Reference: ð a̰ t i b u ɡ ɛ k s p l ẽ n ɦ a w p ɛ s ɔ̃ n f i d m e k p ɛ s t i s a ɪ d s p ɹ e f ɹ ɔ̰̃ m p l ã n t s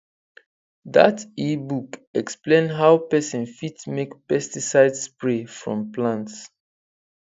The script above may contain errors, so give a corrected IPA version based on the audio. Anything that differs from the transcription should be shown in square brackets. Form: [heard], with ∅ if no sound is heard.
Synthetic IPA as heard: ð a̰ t i b u [k] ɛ k s p l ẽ n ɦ a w p ɛ s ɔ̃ n f i [t] m e k p ɛ s t i s a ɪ d s p ɹ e f ɹ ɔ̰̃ m p l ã n t s